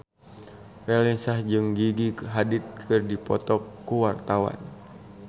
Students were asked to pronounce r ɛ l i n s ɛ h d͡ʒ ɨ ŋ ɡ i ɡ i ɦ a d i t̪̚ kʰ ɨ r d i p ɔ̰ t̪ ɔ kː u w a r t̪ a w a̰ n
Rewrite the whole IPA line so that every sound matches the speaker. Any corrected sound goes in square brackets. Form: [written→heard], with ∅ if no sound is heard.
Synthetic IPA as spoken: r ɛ l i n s [ɛ→a] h d͡ʒ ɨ ŋ ɡ i ɡ i ɦ a d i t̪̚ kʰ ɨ r d i p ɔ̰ t̪ ɔ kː u w a r t̪ a w a̰ n